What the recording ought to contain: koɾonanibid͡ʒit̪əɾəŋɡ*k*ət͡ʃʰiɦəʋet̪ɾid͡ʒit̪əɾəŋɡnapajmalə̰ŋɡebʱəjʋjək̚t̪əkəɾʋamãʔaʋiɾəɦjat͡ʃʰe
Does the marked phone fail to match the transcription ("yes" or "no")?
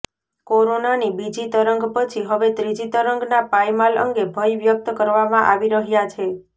yes